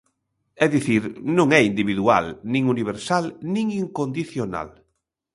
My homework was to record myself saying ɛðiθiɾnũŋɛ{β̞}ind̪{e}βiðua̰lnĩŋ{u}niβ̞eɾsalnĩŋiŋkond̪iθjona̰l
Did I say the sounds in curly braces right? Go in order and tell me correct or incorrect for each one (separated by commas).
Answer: incorrect, incorrect, correct